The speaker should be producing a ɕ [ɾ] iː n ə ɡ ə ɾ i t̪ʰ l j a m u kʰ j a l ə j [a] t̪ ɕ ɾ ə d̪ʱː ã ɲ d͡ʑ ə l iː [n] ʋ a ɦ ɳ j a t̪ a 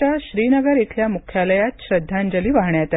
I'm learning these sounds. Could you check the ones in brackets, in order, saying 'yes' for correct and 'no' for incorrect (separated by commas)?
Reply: yes, yes, no